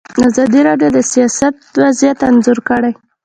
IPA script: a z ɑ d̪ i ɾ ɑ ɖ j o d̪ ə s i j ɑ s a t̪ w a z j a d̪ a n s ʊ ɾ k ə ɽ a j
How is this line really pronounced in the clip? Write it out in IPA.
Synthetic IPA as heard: a z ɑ d̪ i ɾ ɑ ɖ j o d̪ ə s i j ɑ s a t̪ w a z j a t̪ a n z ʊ ɾ k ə ɽ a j